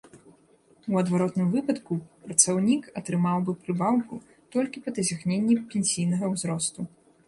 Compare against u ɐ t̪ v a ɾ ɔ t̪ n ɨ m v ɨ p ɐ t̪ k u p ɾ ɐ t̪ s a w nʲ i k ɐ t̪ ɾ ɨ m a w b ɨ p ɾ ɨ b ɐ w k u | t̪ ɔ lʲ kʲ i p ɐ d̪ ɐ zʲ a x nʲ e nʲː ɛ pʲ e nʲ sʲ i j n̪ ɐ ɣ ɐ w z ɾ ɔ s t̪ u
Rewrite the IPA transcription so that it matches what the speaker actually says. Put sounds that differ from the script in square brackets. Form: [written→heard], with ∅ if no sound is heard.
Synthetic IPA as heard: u ɐ [t̪→d̪] v a ɾ ɔ t̪ n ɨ m v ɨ p ɐ t̪ k u p ɾ ɐ t̪ s a w nʲ i k ɐ t̪ ɾ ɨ m a w b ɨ p ɾ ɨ b [ɐ→a] w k u | t̪ ɔ lʲ kʲ i p ɐ d̪ ɐ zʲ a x nʲ e nʲː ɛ pʲ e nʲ sʲ i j n̪ ɐ ɣ ɐ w z ɾ ɔ s t̪ u